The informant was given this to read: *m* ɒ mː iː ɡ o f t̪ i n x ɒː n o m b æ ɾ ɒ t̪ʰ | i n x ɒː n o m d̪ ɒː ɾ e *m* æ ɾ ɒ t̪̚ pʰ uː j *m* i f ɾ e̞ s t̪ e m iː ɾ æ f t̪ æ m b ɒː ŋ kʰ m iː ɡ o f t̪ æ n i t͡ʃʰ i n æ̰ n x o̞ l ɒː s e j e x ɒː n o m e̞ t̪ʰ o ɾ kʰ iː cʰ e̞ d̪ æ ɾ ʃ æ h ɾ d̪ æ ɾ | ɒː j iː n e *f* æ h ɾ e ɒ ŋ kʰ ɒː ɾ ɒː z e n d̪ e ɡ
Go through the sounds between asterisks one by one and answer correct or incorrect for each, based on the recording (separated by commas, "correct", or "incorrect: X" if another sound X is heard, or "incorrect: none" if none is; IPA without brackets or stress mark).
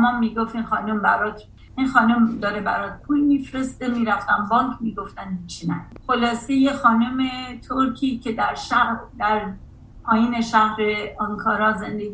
correct, incorrect: b, correct, incorrect: ʃ